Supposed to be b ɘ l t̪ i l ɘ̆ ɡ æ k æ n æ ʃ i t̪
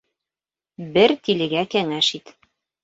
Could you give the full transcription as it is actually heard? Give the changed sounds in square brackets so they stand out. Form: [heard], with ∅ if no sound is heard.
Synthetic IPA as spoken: b ɘ [ɾ] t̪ i l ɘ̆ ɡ æ k æ [ŋ] æ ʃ i t̪